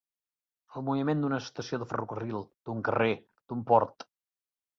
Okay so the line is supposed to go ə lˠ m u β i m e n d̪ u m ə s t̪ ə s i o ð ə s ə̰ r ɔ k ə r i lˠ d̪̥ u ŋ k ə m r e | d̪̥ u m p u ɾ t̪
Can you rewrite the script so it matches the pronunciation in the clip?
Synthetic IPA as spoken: ə lˠ m u β i m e n d̪ u n ə s t̪ ə s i o ð ə f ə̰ r u k ə r i lˠ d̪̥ u ŋ k ə r e | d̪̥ u m p ɔ ɾ t̪

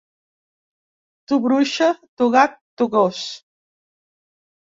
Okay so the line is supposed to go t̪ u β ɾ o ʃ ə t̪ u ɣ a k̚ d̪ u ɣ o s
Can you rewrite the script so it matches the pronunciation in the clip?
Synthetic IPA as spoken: t̪ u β ɾ u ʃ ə t̪ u ɣ a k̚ t̪ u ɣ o s

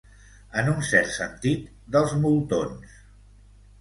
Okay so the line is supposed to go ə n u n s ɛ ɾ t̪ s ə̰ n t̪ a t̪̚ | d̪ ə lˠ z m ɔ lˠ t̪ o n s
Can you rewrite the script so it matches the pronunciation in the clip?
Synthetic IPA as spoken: ə n u n s ɛ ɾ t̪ s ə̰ n t̪ i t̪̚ | d̪ ə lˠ z m u lˠ t̪ o n s

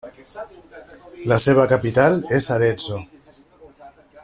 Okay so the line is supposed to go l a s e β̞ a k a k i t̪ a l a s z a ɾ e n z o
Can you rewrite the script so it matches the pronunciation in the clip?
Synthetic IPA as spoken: l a s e β̞ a k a p i t̪ a l e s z a ɾ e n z o

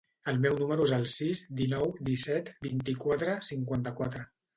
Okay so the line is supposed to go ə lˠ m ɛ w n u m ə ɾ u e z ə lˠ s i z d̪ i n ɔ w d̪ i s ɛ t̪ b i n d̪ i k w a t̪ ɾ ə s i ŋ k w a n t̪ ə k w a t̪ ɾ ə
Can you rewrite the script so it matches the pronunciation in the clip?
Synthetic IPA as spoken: ə lˠ m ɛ w n u m ə ɾ u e z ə lˠ s i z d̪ i n ɔ w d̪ i s ɛ t̪ b i n t̪ i k w a t̪ ɾ ə s i ŋ k w a n t̪ ə k w a t̪ ɾ ə

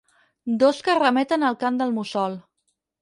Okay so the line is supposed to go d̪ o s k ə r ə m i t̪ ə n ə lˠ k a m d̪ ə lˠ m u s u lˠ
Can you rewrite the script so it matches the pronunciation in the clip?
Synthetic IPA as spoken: d̪ o s k ə r ə m ɛ t̪ ə n ə lˠ k a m d̪ ə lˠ m u s ɔ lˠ

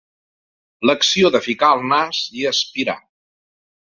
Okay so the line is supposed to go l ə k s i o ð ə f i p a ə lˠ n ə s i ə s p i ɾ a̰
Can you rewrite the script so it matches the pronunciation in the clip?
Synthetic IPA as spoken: l ə k s i o ð ə f i k a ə lˠ n a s i ə s p i ɾ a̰

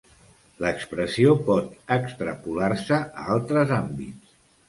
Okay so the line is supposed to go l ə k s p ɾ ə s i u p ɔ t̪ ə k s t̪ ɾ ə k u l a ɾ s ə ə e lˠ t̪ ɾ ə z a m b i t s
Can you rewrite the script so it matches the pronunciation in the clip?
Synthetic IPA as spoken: l ə k s p ɾ ə s i o p ɔ t̪ ə k s t̪ ɾ ə p u l a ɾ s ə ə a lˠ t̪ ɾ ə z a m b i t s

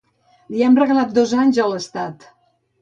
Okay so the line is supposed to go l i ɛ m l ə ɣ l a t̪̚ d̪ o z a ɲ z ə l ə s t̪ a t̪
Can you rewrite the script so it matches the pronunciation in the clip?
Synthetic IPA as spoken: l i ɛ m r ə ɣ l a t̪̚ d̪ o z a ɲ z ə l ə s t̪ a t̪

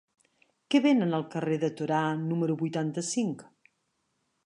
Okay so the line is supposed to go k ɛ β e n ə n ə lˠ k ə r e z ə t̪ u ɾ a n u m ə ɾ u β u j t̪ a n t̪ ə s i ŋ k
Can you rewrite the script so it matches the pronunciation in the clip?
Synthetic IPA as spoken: k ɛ β e n ə n ə lˠ k ə r e ð ə t̪ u ɾ a n u m ə ɾ u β u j t̪ a n t̪ ə s i ŋ k

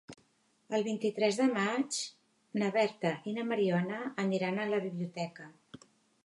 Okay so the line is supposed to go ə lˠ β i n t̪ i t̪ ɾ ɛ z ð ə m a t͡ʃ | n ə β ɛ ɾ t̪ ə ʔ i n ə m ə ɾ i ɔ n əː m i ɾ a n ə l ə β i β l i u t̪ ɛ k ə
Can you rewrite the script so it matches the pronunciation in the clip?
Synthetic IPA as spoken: ə lˠ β i n t̪ i t̪ ɾ ɛ z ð ə m a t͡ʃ | n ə β ɛ ɾ t̪ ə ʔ i n ə m ə ɾ i ɔ n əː n i ɾ a n ə l ə β i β l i u t̪ ɛ k ə

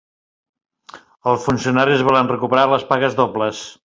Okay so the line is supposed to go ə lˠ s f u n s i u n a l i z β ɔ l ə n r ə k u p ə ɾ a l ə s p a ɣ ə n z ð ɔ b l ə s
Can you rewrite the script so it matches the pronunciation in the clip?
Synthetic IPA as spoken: ə lˠ s f u n s i u n a ɾ i z β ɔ l ə n r ə k u p ə ɾ a l ə s p a ɣ ə z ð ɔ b l ə s

